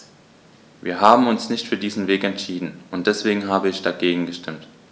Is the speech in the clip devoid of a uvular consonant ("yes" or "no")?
yes